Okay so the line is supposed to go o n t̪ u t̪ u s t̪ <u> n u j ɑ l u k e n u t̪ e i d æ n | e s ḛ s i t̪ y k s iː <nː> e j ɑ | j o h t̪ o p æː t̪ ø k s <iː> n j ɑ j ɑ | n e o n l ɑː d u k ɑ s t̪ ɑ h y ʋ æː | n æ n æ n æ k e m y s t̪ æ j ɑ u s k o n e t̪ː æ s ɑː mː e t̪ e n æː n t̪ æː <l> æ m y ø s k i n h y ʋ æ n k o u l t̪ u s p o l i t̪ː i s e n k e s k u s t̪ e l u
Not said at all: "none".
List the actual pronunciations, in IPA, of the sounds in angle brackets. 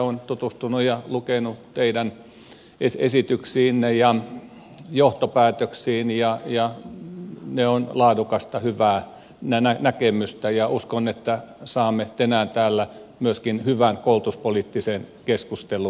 u, nː, iː, lː

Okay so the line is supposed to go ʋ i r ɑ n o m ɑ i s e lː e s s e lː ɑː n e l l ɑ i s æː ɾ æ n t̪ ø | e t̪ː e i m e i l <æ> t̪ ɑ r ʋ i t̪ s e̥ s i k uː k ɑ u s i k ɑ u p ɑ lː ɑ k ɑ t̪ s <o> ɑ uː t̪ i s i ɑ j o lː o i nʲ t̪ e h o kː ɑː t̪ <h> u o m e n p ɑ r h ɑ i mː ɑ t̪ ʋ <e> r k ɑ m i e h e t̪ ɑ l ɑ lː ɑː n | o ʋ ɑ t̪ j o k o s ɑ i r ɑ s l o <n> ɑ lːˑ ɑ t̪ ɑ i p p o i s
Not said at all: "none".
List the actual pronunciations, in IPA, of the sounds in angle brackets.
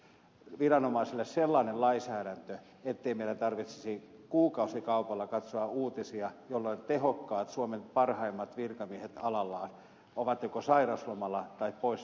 æ, o, s, i, m

